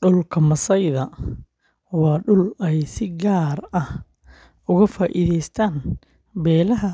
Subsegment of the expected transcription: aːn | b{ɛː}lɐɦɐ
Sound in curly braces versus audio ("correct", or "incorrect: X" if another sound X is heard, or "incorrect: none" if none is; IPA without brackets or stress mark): correct